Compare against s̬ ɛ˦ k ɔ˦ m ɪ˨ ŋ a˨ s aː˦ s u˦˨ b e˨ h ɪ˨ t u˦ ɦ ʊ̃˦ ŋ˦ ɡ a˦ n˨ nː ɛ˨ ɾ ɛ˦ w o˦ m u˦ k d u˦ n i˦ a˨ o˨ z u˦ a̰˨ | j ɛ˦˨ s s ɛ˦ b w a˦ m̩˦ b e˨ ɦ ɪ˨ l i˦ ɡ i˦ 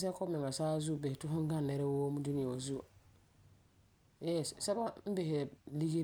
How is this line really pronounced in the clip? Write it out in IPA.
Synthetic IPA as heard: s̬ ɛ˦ k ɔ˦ m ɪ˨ ŋ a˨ s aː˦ z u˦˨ b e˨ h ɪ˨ t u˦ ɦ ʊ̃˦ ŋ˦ ɡ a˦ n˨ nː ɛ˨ ɾ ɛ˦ w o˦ m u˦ d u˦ n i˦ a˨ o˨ z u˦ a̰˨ | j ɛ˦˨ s s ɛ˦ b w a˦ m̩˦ b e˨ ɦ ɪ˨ l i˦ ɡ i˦